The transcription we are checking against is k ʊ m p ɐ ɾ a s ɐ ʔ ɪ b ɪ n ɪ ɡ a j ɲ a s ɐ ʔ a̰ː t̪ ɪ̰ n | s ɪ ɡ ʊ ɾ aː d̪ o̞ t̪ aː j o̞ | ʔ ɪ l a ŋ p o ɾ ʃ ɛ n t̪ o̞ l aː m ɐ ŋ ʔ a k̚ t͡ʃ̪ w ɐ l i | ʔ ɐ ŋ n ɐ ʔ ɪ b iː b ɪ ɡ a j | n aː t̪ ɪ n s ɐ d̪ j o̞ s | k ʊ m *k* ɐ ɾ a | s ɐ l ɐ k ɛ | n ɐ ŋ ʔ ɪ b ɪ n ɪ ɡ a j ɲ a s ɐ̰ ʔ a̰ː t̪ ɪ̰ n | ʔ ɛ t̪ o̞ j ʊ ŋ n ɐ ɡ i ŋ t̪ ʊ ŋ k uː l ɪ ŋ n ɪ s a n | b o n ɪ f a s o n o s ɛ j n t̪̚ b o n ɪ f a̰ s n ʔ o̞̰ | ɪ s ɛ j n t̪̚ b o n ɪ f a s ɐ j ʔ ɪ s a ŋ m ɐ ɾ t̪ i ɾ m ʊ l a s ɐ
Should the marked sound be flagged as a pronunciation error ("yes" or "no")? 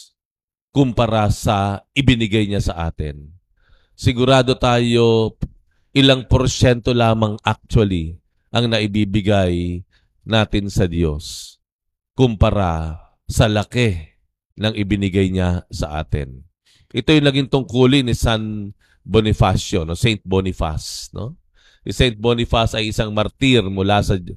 yes